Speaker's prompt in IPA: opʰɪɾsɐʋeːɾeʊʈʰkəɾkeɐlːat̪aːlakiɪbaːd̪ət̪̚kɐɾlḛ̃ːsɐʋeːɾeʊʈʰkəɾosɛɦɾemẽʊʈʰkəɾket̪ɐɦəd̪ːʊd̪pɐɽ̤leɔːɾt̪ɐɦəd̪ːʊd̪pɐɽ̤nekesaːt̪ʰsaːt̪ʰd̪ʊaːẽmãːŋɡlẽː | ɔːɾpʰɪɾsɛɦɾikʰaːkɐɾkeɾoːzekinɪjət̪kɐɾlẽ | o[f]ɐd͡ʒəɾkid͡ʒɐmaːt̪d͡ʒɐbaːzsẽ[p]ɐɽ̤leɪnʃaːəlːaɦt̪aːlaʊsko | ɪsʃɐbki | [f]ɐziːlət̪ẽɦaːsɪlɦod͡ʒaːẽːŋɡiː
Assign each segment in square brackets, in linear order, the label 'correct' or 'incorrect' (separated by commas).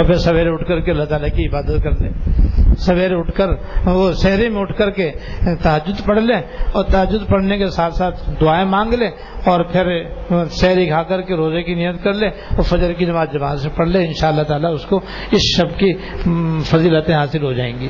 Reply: correct, correct, correct